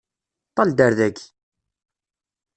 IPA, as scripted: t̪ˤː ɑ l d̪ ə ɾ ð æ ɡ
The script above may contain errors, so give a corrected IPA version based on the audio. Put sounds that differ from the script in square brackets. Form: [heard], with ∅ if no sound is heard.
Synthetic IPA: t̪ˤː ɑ l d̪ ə ɾ ð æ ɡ